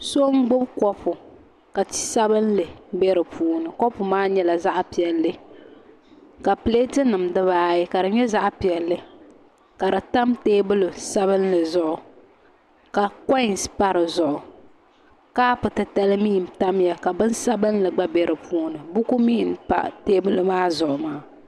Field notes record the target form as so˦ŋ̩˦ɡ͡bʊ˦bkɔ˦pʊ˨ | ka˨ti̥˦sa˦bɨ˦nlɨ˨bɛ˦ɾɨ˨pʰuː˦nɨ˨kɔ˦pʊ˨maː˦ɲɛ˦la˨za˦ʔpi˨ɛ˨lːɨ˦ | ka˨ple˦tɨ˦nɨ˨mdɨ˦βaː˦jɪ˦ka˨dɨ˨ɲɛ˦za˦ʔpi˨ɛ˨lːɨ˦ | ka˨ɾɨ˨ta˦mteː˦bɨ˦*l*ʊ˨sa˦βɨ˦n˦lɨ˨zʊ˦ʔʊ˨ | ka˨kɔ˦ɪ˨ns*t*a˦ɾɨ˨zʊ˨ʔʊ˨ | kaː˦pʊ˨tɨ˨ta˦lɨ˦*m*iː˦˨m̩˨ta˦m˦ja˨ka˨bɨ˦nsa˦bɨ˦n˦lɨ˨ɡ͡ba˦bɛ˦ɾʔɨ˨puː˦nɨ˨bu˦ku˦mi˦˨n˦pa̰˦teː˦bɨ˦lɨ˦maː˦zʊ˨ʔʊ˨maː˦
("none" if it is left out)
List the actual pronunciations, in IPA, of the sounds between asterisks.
l, p, m

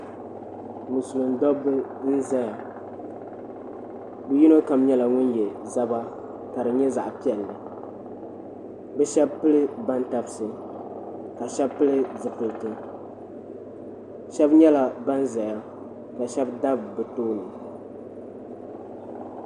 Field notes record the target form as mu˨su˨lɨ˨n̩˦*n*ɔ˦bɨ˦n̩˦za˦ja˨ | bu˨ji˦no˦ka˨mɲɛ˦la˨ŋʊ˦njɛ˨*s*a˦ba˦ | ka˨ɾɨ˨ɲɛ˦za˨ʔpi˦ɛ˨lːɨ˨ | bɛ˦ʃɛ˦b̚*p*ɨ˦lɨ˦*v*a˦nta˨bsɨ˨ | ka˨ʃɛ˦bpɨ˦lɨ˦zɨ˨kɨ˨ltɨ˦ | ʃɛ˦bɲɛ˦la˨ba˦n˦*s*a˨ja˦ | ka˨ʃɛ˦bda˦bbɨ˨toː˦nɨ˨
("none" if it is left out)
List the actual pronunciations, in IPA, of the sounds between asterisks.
d, z, p, b, z

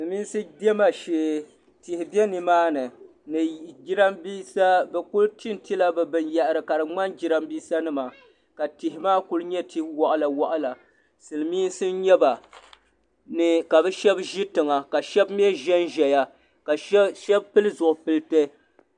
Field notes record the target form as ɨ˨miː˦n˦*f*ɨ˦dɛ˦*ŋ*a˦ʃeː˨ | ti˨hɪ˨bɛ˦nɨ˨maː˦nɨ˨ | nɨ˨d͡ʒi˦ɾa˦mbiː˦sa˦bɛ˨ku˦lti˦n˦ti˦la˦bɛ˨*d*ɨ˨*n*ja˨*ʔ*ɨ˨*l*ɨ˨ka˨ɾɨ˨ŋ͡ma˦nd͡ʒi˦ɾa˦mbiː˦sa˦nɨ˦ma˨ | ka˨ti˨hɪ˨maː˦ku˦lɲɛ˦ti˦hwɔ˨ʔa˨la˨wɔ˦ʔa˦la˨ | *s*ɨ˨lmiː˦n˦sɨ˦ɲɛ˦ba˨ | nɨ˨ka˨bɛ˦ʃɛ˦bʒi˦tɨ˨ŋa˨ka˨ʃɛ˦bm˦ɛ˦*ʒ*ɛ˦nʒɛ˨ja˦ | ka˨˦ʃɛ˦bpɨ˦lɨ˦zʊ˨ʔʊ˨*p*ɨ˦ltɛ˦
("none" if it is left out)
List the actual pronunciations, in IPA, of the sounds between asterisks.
s, m, b, n, ʔ, ɾ, s, ʒ, p

